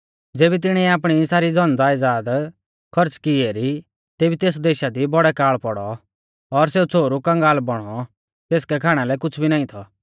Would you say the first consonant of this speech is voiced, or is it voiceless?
voiced